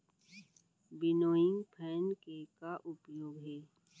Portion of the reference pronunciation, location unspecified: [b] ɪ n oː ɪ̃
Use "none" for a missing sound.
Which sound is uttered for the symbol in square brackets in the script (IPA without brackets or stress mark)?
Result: b